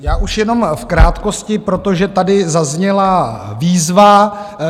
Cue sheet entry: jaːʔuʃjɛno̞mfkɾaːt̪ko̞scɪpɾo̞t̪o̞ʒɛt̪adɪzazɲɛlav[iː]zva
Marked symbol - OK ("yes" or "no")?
yes